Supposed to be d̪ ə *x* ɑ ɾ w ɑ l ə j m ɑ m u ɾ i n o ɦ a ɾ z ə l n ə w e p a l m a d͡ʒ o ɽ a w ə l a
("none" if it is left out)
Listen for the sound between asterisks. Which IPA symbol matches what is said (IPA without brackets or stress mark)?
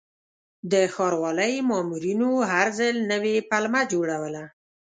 x